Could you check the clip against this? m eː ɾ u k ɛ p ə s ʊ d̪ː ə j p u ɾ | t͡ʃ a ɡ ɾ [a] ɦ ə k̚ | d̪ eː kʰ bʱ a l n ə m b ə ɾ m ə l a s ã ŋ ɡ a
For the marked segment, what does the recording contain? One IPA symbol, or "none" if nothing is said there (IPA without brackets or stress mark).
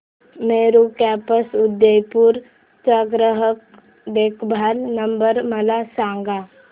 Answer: ə